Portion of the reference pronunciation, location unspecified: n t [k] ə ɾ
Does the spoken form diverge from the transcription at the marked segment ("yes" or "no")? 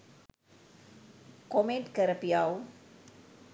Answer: no